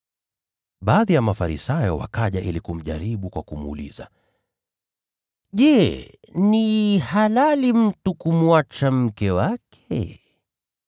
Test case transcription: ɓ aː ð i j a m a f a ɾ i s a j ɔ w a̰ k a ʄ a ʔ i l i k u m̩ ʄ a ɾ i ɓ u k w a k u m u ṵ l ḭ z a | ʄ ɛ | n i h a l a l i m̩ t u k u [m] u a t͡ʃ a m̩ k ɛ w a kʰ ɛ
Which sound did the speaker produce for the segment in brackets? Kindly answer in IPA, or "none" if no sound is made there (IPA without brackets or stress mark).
m